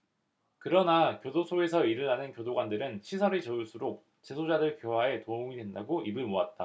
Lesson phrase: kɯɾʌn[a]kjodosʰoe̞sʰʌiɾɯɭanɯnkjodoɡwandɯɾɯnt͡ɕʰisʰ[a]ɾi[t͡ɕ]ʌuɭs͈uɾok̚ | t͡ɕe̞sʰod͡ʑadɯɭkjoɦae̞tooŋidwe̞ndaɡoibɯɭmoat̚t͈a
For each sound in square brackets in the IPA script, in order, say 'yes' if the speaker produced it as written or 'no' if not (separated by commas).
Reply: yes, no, yes